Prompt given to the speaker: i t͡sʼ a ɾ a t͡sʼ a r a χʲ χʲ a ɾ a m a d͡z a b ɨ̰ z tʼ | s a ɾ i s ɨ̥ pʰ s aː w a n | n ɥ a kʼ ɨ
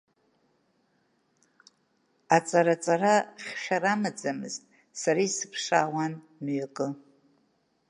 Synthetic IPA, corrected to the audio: a t͡sʼ a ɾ a t͡sʼ a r a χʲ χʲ a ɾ a m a d͡z a m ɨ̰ z tʼ | s a ɾ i s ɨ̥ pʰ ʂ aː w a n | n ɥ a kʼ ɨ